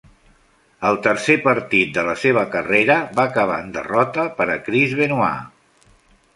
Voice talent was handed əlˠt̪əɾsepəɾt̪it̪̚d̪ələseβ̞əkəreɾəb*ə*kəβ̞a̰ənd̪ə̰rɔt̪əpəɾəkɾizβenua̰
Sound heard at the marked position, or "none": a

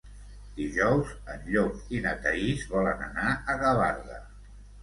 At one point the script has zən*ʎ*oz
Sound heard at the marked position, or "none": ʎ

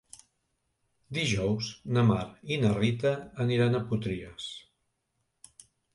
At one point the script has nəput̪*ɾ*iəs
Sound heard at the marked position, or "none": ɾ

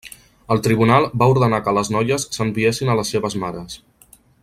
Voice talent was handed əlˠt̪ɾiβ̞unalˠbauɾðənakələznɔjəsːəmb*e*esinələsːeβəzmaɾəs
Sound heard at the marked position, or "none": i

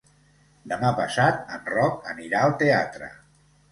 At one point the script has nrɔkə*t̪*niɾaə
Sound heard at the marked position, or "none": none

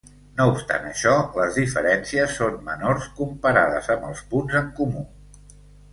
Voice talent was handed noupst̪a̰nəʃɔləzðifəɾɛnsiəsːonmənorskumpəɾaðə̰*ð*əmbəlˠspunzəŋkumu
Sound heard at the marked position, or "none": z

